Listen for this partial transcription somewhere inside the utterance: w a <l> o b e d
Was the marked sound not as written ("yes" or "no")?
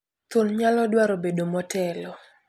yes